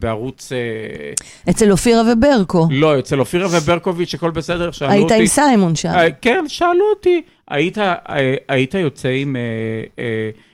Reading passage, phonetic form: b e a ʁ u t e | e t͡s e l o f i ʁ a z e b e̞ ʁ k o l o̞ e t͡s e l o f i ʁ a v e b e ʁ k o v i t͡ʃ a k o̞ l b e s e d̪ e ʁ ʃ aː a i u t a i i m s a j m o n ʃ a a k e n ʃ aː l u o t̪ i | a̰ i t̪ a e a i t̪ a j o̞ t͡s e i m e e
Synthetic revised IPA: b e a ʁ u t͡s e | e t͡s e l o f i ʁ a v e b e̞ ʁ k o l o̞ e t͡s e l o f i ʁ a v e b e ʁ k o v i t͡ʃ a k o̞ l b e s e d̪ e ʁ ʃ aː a i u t a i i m s a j m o n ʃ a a k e n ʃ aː l u o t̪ i | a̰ i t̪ a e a i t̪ a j o̞ t͡s e i m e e